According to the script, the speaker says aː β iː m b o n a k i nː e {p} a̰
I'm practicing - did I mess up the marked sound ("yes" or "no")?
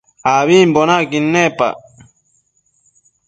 no